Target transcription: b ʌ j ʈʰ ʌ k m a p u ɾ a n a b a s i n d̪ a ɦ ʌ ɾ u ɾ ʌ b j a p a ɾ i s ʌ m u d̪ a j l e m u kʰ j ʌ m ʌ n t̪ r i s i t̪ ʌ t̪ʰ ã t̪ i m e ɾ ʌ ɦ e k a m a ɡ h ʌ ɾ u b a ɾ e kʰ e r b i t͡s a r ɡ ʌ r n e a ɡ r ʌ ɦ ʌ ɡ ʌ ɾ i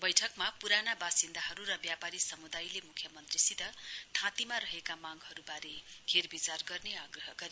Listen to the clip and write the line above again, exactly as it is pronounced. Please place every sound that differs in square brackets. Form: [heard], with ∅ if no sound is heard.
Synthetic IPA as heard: b ʌ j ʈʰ ʌ k m a p u ɾ a n a b a s i n d̪ a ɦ ʌ ɾ u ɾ ʌ b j a p a ɾ i s ʌ m u d̪ a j l e m u kʰ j ʌ m ʌ n t̪ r i s i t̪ ʌ t̪ʰ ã t̪ i m [a] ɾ ʌ ɦ e k a m a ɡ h ʌ ɾ u b a ɾ e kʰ e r b i t͡s a r ɡ ʌ r n e a ɡ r ʌ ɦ ʌ ɡ ʌ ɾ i